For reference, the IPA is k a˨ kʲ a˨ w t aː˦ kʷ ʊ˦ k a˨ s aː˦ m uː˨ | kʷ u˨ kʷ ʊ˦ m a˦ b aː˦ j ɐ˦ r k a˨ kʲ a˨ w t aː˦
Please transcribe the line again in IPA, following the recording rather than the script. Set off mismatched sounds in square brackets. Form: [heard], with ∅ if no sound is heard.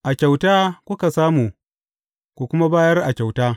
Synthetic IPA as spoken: [ʔ] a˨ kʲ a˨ w t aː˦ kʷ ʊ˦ k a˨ s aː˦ m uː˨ | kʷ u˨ kʷ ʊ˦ m a˦ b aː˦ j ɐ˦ r [ʔ] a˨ kʲ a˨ w t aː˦

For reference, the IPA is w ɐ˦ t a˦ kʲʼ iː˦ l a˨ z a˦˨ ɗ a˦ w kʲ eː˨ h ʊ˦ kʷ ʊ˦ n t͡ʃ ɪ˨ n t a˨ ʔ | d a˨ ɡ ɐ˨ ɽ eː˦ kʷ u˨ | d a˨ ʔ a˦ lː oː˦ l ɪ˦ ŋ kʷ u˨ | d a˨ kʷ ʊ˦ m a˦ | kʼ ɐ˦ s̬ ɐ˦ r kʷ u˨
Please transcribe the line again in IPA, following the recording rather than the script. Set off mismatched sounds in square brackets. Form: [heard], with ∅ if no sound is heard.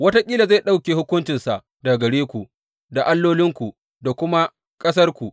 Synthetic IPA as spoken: w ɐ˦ t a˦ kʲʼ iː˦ l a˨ z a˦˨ ɗ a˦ w kʲ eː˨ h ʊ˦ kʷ ʊ˦ n t͡ʃ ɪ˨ n [s] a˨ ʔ | d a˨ ɡ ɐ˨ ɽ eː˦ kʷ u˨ | d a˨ ʔ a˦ lː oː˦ l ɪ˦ ŋ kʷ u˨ | d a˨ kʷ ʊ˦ m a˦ | kʼ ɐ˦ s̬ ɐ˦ r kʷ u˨

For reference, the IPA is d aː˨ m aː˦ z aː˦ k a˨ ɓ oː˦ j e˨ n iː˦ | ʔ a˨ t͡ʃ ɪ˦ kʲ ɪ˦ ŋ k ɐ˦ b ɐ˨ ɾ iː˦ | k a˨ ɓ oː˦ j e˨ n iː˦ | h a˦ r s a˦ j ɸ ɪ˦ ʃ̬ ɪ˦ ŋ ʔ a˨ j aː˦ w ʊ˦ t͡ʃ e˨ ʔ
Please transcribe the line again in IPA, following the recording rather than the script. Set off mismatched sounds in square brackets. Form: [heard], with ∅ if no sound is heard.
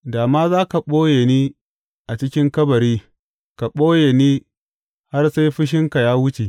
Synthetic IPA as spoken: d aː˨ m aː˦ z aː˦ k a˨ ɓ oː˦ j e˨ n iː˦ | ʔ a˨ t͡ʃ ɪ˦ kʲ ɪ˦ ŋ k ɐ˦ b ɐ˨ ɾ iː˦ | k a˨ ɓ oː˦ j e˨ n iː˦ | h a˦ r s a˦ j ɸ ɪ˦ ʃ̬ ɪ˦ ŋ [k] a˨ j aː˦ w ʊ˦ t͡ʃ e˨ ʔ

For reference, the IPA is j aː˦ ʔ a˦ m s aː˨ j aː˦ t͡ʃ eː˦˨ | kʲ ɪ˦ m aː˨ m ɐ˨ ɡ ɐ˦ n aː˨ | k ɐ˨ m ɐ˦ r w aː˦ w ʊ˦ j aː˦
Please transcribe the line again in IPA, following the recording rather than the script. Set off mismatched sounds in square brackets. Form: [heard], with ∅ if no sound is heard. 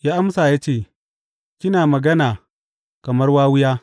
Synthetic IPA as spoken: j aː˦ ʔ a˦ m s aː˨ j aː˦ t͡ʃ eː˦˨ | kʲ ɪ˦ [n] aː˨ m ɐ˨ ɡ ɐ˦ n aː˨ | k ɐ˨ m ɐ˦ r w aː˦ w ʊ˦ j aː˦

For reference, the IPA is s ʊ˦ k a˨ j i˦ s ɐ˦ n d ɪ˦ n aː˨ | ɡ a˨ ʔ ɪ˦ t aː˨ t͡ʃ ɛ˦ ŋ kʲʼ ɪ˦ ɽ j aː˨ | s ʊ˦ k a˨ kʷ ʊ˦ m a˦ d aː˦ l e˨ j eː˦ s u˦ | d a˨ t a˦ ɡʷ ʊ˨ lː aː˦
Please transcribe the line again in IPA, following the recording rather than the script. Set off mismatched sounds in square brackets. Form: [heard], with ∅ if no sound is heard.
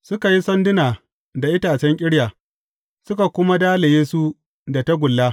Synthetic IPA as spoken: s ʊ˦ k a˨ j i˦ s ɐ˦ n d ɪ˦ n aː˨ | [d] a˨ ʔ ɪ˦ t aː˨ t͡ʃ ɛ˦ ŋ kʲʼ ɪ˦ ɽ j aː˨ | s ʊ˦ k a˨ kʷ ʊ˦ m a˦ d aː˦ l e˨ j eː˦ s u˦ | d a˨ t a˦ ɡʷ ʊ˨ lː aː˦

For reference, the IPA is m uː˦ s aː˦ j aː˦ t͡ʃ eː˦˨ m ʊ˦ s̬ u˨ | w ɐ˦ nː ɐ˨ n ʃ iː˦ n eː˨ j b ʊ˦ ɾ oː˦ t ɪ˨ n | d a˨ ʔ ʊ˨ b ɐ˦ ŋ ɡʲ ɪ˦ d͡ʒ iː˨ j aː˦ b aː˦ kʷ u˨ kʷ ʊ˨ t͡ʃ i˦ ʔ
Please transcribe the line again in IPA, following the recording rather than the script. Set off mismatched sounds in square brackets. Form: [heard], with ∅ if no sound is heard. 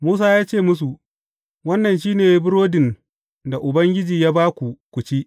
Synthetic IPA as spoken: m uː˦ s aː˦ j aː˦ t͡ʃ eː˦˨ m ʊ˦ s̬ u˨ | w ɐ˦ nː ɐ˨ n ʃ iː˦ n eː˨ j b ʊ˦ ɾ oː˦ [d] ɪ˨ n | d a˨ ʔ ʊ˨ b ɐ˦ ŋ ɡʲ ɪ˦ d͡ʒ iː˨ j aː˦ b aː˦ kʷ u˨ kʷ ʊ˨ t͡ʃ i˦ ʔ

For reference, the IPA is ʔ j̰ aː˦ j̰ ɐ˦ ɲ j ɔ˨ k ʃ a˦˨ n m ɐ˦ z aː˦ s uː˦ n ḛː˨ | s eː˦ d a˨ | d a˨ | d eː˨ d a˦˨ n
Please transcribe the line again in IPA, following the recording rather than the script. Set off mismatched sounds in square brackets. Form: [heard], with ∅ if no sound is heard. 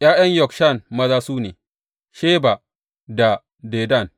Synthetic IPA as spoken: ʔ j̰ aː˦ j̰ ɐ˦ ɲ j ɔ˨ k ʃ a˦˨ n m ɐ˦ z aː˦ s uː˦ n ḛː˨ | [ʃ] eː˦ [b] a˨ | d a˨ | d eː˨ d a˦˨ n

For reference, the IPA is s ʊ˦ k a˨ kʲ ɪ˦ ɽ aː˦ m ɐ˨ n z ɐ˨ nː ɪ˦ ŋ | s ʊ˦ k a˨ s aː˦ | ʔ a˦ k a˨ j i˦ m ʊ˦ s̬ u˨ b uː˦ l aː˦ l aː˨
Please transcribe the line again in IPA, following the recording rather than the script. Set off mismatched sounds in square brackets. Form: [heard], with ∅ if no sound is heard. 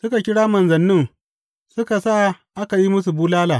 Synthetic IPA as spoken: s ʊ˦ k a˨ kʲ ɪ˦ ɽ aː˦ m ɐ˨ n z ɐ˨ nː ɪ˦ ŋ | s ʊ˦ k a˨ s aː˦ | ʔ a˦ k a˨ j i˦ m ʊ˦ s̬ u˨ b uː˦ l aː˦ l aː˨

